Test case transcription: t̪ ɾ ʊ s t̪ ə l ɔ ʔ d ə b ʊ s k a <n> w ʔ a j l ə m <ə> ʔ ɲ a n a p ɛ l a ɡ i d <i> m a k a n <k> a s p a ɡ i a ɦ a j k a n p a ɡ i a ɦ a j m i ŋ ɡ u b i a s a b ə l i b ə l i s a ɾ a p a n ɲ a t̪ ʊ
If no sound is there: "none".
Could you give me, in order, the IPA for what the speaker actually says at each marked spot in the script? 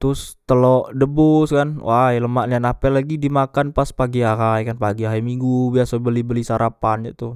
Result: n, a, i, p

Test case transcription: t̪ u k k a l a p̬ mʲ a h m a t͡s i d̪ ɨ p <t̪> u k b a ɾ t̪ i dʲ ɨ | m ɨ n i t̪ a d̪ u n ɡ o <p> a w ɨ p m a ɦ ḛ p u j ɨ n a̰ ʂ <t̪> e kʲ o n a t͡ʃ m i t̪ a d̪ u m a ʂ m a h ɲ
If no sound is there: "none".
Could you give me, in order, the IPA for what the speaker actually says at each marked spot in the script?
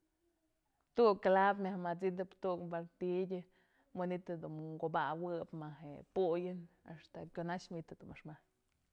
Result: t̪, b, t̪

